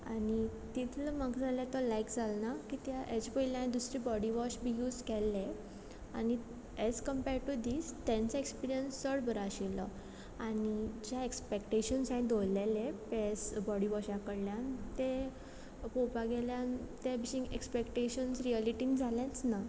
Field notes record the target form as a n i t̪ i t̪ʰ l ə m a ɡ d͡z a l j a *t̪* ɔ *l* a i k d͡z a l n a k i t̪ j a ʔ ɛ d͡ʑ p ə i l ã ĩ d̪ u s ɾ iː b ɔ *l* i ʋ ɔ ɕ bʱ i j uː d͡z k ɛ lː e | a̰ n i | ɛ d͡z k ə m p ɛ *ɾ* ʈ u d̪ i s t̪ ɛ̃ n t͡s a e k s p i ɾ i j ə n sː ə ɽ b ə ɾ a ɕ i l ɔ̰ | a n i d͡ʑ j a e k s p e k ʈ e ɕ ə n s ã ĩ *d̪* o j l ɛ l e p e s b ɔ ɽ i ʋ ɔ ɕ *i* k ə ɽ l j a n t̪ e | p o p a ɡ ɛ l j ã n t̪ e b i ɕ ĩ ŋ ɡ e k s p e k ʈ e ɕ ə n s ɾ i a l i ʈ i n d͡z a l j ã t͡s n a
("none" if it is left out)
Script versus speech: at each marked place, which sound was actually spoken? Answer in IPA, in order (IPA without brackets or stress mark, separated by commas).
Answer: t̪, l, ɽ, ɾ, d̪, a